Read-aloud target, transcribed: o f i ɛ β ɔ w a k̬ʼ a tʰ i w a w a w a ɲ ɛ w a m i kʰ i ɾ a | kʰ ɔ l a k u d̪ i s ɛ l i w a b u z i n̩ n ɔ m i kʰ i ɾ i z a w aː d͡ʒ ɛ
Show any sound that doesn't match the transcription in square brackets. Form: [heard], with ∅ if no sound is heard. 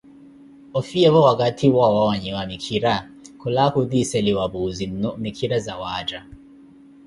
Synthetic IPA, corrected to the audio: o f i ɛ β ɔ w a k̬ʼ a tʰ i w a w a w a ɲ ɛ w a m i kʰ i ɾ a | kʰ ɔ l a k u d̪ i s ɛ l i w a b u z i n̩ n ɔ m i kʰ i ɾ [a] z a w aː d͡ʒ [a]